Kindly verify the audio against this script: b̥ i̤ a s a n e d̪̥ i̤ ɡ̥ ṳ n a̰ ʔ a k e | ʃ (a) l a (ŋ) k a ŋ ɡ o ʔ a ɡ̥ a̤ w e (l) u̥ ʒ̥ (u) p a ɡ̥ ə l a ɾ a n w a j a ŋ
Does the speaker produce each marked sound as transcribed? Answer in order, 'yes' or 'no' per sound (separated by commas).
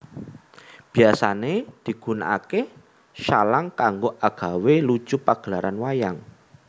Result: yes, yes, yes, yes